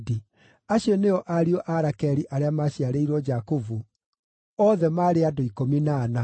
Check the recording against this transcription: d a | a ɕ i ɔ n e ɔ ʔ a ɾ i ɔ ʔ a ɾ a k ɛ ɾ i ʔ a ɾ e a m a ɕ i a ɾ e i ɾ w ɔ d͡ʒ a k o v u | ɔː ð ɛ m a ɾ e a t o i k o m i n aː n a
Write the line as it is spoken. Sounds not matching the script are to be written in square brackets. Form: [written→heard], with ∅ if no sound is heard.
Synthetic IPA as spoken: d [a→i] | a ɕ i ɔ n e ɔ ʔ a ɾ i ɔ ʔ a ɾ a k ɛ ɾ i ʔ a ɾ e a m a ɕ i a ɾ e i ɾ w ɔ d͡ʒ a k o v u | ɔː ð ɛ m a ɾ e a [t→d] o i k o m i n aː n a